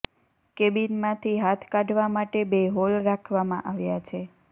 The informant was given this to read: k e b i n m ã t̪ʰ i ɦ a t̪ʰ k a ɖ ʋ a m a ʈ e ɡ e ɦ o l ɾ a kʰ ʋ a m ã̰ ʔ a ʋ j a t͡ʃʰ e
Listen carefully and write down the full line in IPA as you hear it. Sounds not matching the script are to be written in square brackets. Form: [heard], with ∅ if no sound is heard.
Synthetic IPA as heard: k e b i n m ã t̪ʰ i ɦ a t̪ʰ k a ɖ ʋ a m a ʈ e [b] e ɦ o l ɾ a kʰ ʋ a m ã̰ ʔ a ʋ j a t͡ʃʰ e